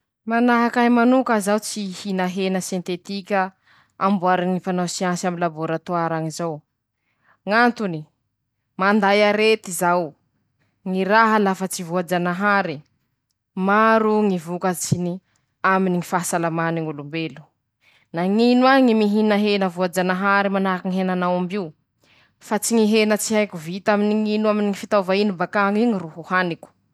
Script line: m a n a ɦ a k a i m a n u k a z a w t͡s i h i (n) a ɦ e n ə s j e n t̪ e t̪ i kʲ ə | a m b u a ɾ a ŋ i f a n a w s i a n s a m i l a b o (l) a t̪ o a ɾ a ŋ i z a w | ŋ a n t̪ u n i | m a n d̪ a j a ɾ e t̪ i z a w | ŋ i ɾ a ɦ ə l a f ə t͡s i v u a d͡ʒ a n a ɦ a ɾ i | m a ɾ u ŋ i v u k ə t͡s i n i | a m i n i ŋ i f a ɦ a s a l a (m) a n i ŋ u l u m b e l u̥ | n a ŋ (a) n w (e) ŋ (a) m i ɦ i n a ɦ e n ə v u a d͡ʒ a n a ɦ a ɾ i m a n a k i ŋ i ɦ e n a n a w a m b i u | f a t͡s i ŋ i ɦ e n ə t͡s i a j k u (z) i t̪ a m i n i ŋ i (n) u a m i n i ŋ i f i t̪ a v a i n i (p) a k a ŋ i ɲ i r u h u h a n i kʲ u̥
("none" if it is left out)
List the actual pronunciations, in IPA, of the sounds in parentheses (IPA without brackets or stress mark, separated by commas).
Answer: n, ɾ, m, i, a, i, v, n, b